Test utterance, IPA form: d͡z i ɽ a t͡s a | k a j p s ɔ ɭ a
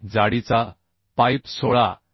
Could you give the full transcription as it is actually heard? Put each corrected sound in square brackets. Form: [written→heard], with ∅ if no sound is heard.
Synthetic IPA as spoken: d͡z [i→a] ɽ [a→i] t͡s a | [k→p] a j p s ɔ ɭ a